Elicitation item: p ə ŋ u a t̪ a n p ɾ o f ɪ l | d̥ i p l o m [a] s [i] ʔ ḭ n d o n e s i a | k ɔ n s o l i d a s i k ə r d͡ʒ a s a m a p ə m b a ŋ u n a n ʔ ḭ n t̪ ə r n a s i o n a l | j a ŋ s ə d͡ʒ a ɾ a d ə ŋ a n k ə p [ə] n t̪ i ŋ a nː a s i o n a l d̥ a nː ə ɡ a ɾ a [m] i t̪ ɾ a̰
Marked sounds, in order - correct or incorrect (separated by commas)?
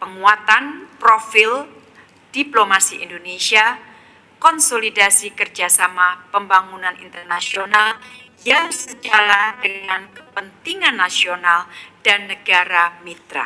correct, correct, correct, correct